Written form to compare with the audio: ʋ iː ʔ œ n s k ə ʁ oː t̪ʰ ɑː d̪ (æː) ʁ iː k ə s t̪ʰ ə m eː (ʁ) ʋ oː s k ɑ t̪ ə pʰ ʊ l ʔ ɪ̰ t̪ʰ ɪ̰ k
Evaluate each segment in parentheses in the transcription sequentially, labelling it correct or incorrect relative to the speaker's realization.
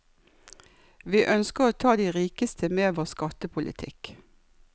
incorrect: iː, incorrect: none

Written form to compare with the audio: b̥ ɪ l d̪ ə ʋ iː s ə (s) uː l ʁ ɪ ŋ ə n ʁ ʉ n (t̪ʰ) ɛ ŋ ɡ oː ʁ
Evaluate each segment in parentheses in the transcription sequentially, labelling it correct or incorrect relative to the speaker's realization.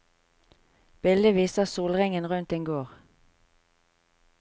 correct, incorrect: t̪

